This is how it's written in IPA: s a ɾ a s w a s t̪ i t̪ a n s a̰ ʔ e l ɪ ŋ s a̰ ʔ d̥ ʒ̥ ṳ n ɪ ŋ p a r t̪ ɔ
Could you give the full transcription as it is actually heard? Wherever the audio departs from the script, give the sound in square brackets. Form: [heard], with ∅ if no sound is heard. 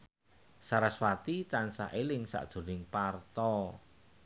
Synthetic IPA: s a ɾ a s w a [∅] t̪ i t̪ a n s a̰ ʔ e l ɪ ŋ s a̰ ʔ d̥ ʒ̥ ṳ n ɪ ŋ p a r t̪ ɔ